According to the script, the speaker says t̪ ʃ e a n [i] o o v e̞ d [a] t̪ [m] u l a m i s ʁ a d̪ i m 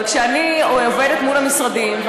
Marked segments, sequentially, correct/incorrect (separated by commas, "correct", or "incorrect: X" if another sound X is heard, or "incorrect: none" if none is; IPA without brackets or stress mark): correct, incorrect: e, correct